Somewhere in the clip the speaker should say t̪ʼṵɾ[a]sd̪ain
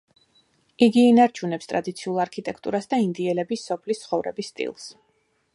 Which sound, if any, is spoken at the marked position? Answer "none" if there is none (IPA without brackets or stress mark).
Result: a